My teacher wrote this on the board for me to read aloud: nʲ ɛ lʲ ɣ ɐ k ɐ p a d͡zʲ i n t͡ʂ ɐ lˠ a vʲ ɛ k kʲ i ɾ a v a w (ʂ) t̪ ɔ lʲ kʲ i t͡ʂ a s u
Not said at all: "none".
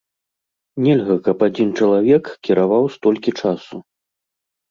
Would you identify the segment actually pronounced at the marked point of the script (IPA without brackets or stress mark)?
s